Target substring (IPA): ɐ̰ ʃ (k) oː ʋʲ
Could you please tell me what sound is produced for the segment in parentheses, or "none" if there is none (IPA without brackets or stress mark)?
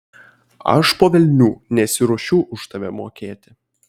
p